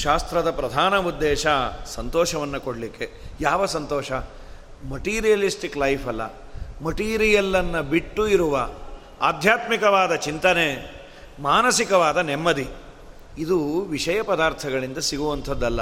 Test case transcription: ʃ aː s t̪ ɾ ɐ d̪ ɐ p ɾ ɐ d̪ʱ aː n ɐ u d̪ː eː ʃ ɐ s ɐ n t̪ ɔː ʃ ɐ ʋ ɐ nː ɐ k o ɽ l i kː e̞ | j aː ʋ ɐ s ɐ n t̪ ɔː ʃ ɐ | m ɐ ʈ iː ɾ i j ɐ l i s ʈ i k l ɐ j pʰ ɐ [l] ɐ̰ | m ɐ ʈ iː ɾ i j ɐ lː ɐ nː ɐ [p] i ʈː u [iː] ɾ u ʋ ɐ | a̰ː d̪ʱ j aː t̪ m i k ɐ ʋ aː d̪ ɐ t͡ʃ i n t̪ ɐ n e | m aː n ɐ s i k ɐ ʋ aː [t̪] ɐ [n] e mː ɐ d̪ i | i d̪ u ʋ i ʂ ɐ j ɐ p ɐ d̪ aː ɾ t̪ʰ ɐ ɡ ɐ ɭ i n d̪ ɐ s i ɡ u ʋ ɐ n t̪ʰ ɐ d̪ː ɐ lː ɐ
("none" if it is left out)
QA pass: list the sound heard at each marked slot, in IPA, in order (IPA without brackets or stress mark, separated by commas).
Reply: lː, b, i, d̪, n